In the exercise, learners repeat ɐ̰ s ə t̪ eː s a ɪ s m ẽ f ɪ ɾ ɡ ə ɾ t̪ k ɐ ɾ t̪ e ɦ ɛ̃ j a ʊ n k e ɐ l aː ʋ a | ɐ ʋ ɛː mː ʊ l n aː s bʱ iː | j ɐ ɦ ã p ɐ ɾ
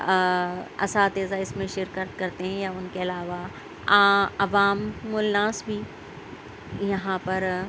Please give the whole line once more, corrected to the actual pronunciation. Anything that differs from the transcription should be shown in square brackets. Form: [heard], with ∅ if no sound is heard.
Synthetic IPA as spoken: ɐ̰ s [a] t̪ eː [z] a ɪ s m ẽ [ʃ] ɪ ɾ [k] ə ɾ t̪ k ɐ ɾ t̪ e ɦ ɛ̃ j a ʊ n k e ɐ l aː ʋ a | ɐ ʋ [aː] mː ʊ l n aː s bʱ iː | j ɐ ɦ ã p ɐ ɾ